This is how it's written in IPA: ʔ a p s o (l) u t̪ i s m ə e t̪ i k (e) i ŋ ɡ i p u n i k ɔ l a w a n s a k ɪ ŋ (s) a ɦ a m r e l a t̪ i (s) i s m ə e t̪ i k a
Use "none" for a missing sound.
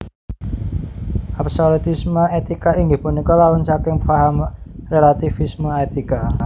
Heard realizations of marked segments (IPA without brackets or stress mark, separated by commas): l, a, f, f